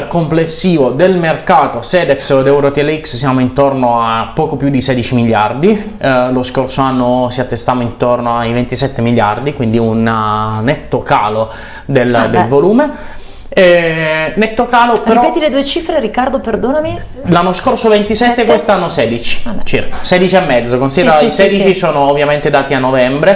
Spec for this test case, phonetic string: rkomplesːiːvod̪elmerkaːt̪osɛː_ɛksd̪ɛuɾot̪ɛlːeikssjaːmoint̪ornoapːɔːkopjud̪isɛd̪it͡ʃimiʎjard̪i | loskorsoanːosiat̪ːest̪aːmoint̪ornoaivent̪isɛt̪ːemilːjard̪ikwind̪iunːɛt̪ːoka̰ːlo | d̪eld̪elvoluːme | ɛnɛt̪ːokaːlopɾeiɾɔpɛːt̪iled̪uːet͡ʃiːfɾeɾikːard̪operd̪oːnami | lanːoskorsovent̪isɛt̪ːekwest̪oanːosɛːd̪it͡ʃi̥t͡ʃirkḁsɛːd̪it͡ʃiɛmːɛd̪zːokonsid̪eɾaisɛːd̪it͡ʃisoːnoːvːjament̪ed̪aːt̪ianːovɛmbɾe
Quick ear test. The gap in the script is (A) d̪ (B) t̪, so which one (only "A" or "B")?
A